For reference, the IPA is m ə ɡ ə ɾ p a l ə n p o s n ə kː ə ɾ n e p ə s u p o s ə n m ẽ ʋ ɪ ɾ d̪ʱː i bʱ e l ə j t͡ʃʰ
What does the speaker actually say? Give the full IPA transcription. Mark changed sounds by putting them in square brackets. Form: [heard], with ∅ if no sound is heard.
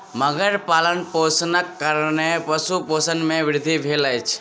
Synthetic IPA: m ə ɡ ə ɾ p a l ə n p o s n ə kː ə ɾ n e p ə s u p o s ə n m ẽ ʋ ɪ ɾ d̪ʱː i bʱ e l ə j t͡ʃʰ